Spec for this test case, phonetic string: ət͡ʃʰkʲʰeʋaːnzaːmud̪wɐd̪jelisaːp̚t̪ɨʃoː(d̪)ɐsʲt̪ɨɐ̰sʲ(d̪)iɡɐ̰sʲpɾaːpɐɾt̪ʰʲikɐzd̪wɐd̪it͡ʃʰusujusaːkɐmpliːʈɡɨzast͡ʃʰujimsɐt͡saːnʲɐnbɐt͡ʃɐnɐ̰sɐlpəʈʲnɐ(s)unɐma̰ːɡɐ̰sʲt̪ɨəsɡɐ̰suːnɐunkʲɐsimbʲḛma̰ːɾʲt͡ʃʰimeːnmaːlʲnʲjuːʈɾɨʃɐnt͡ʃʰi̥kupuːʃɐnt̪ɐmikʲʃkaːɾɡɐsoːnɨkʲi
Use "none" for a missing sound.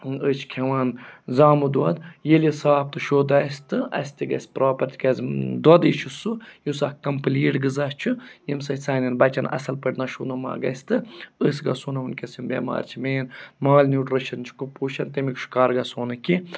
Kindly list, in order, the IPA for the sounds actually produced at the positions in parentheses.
d̪, t̪, ʃ

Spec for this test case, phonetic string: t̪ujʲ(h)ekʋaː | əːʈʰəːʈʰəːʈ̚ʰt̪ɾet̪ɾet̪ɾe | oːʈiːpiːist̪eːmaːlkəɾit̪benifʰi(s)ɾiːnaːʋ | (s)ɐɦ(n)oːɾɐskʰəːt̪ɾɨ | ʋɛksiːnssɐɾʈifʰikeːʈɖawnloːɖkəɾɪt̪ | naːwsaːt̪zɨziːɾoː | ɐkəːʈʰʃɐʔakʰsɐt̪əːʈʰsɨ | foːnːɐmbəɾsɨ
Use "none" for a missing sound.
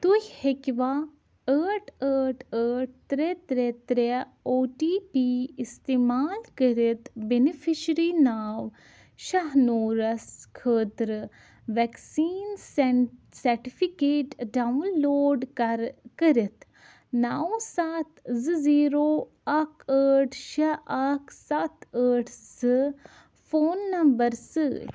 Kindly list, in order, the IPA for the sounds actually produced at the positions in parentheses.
h, ʃ, ʃ, n

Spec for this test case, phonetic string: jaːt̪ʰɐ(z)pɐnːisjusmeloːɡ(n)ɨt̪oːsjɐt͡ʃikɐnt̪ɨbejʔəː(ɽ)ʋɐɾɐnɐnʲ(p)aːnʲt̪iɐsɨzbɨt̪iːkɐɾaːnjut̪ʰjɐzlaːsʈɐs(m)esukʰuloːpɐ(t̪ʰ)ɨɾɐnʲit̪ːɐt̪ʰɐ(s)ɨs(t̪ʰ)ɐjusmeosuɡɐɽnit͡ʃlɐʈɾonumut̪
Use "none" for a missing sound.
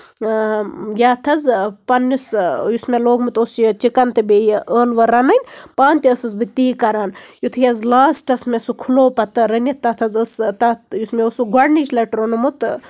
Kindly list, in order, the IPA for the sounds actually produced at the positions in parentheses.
z, m, l, p, m, t̪, z, t̪

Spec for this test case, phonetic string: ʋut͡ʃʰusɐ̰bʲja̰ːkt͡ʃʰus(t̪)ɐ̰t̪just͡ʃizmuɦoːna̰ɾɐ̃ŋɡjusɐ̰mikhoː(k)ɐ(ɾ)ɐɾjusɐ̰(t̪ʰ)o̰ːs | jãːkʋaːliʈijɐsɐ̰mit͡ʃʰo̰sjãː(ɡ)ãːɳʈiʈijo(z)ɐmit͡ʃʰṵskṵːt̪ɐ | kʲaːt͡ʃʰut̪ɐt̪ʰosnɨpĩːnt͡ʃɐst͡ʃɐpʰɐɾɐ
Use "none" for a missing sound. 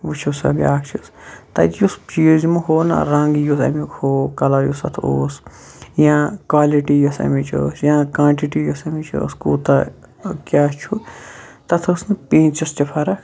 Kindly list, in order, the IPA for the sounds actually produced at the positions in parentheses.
t̪, k, l, t̪ʰ, k, s

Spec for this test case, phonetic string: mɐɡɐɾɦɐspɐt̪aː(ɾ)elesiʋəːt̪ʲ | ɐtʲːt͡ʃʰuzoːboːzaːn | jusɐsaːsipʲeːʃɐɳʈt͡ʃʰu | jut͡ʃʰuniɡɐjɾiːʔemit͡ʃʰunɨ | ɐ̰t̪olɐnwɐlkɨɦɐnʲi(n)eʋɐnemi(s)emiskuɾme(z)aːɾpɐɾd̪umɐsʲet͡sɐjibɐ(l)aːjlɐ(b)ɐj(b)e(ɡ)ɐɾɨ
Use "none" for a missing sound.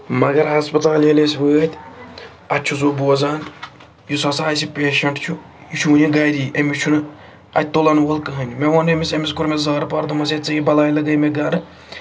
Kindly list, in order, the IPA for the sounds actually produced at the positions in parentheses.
l, m, s, z, l, ɡ, m, ɡ

